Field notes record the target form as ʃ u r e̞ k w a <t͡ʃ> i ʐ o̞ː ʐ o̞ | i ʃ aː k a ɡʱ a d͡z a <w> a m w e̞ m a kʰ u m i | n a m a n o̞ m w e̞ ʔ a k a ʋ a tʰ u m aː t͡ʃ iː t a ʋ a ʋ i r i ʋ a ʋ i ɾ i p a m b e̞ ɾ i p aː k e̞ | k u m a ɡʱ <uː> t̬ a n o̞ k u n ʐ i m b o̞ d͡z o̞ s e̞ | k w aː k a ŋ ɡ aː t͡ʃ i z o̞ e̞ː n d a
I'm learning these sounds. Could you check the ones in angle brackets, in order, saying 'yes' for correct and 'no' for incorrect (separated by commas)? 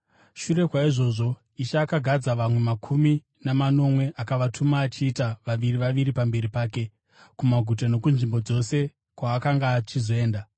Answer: no, no, no